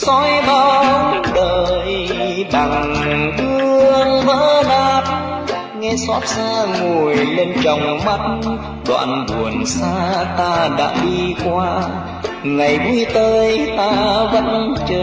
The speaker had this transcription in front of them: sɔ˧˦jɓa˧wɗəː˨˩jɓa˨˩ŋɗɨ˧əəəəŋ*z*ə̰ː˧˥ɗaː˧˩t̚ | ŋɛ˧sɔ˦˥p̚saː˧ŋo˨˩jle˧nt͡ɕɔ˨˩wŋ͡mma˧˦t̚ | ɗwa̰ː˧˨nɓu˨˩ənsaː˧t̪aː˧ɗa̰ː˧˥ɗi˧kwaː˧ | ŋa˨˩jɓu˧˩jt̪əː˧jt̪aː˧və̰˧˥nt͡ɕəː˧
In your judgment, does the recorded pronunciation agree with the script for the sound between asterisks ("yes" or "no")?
no